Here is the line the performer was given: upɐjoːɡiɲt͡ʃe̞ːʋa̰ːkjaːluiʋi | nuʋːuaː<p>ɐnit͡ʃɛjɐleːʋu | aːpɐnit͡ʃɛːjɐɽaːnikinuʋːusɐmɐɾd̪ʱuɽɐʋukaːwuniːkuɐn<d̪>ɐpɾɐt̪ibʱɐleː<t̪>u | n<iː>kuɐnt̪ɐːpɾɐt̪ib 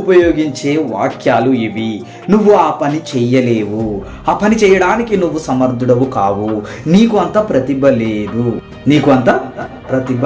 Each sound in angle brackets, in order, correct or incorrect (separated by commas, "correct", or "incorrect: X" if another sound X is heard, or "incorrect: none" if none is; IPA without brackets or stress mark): correct, incorrect: t̪, incorrect: d̪, correct